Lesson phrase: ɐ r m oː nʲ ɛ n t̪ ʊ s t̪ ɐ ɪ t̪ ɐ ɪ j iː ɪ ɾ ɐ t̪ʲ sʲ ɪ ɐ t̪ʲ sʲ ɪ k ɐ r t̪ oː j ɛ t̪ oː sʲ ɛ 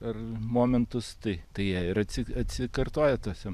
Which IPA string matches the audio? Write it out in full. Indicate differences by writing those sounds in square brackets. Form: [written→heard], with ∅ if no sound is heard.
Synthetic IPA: ɐ r m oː [nʲ→mʲ] ɛ n t̪ ʊ s t̪ ɐ ɪ t̪ ɐ ɪ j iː ɪ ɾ ɐ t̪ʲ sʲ ɪ ɐ t̪ʲ sʲ ɪ k ɐ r t̪ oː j ɛ t̪ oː sʲ ɛ